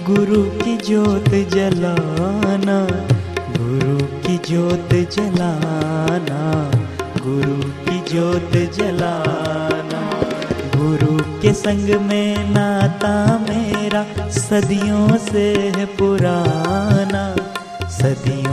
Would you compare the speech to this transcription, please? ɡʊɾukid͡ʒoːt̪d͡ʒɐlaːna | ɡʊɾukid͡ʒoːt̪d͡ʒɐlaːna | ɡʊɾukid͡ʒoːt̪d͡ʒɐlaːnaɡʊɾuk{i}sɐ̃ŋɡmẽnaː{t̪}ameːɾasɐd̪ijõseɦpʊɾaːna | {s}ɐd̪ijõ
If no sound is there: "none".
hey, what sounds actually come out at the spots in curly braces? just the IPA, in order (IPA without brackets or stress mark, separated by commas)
e, t̪, s